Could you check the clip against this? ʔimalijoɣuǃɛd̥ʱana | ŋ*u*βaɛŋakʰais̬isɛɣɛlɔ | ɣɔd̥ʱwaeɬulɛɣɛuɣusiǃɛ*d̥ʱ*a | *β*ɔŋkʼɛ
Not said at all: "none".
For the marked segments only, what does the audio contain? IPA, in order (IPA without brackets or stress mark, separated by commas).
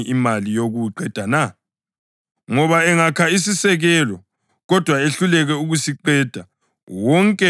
ɔ, d̥ʱ, w